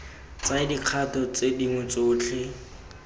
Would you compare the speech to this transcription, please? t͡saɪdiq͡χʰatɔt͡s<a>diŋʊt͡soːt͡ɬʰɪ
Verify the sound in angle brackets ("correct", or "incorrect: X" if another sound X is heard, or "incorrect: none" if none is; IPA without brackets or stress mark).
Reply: incorrect: e